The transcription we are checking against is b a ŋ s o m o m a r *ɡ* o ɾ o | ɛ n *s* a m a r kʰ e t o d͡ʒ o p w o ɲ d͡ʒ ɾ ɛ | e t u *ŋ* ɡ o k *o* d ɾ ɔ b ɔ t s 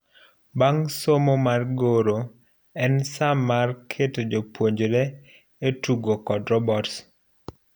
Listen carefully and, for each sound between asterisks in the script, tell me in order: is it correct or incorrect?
correct, correct, incorrect, incorrect

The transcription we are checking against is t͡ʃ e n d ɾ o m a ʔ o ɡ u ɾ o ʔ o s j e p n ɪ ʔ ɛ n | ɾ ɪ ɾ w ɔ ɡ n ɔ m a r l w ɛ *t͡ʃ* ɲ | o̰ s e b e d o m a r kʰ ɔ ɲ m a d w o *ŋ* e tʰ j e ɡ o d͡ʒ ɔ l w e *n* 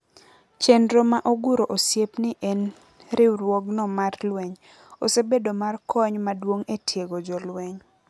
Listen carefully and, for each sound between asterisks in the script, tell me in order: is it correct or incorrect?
incorrect, correct, incorrect

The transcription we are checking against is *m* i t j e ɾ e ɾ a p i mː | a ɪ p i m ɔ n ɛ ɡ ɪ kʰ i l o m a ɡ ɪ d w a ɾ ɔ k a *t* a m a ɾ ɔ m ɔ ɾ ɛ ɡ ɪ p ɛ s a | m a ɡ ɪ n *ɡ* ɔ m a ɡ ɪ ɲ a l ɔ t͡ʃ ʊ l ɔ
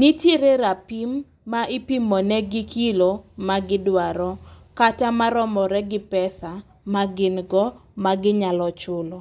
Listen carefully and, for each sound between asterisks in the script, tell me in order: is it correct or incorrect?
incorrect, correct, correct

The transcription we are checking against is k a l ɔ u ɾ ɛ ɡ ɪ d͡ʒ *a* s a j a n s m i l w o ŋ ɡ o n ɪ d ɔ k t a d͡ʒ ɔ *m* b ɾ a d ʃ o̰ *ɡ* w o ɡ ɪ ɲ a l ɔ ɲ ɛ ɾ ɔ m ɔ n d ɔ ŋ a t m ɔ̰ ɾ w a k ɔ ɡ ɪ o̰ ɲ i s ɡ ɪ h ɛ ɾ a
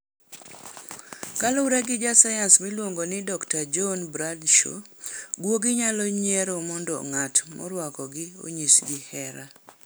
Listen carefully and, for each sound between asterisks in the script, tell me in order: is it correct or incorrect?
correct, incorrect, correct

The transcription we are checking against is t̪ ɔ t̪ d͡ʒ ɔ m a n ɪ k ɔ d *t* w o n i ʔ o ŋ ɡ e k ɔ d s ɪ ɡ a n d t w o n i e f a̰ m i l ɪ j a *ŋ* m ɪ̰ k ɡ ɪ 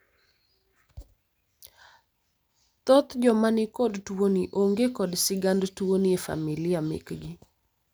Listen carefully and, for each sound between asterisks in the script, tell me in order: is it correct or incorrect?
correct, incorrect

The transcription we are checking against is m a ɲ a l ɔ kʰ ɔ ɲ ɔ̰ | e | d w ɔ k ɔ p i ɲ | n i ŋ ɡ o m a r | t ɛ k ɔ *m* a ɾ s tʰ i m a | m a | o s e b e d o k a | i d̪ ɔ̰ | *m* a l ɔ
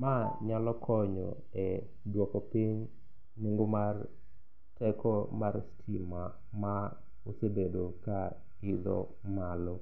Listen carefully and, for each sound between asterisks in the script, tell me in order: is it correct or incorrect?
correct, correct

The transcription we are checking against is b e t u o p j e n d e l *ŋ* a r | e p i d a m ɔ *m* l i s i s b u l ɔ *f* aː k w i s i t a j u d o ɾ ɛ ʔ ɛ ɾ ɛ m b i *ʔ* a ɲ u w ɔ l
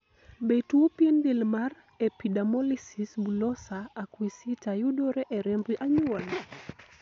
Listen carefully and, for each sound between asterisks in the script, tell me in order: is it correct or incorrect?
incorrect, incorrect, incorrect, correct

